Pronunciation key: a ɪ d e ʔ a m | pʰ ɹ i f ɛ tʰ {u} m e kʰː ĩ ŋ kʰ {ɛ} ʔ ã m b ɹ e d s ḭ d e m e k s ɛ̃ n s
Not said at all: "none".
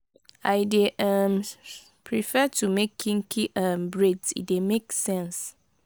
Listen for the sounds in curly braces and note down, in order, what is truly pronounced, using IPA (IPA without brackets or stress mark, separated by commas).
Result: u, i